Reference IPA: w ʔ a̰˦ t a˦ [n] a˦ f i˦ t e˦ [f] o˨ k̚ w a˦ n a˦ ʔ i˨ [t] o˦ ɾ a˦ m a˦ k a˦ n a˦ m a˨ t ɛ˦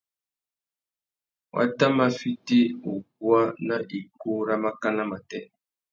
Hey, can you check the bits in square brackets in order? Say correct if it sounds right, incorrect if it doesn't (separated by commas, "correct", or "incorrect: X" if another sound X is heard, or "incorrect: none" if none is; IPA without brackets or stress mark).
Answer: incorrect: m, incorrect: none, incorrect: k